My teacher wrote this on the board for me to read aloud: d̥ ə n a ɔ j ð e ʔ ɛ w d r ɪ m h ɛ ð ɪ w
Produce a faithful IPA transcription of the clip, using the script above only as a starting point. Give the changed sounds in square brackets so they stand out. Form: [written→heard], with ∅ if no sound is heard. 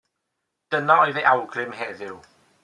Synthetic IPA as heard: d̥ ə n a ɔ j ð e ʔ [ɛ→a] w [d→ɡ] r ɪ m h ɛ ð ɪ w

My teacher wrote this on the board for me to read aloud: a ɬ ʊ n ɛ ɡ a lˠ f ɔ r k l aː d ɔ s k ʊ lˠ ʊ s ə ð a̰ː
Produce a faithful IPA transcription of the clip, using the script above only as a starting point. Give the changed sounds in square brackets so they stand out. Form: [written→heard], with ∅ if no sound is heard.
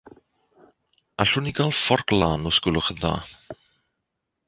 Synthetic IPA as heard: a ɬ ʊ n [ɛ→i] ɡ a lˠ f ɔ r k l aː [d→n] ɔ s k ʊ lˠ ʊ [s→χ] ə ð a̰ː

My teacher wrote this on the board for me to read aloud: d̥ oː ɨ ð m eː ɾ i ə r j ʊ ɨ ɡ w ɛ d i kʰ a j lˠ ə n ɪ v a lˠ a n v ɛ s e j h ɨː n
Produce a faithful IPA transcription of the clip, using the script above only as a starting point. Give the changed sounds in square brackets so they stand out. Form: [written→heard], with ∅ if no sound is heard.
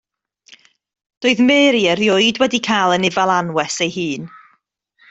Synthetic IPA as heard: d̥ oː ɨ ð m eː ɾ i ə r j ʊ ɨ [ɡ→d] w ɛ d i kʰ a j lˠ ə n ɪ v a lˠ a n [v→w] ɛ s e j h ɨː n

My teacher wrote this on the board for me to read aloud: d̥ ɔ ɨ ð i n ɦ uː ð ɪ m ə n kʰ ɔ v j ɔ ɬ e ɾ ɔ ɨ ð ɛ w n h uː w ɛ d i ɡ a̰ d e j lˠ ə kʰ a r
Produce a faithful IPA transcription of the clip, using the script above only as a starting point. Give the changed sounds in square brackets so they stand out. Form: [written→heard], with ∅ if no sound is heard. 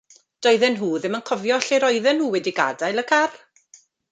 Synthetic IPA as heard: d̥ ɔ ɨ ð [i→ɛ] n ɦ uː ð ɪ m ə n kʰ ɔ v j ɔ ɬ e ɾ ɔ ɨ ð ɛ [w→∅] n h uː w ɛ d i ɡ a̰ d [e→a] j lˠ ə kʰ a r

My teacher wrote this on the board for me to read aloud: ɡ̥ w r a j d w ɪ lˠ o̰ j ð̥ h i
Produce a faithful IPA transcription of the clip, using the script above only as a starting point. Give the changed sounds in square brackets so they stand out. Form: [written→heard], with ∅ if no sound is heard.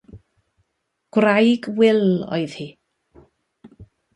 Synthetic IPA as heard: ɡ̥ w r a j [d→ɡ] w ɪ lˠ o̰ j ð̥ h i

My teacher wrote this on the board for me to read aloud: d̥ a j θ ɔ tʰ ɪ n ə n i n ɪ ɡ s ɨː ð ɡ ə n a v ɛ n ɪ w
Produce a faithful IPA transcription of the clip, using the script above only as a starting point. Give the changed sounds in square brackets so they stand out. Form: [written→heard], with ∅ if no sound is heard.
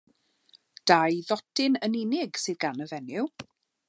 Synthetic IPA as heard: d̥ a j [θ→ð] ɔ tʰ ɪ n ə n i n ɪ ɡ s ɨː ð ɡ [ə→a] n [a→ə] v ɛ n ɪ w

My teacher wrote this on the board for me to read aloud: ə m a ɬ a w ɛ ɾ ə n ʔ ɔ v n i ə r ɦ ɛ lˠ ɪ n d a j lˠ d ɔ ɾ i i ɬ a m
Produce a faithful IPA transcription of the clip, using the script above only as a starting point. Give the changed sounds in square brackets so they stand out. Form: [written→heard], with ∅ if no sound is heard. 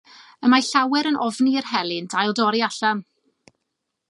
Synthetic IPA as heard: ə m a ɬ a w ɛ ɾ ə n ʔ ɔ v n i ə r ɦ ɛ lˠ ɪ n d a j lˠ d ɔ ɾ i [i→a] ɬ a m

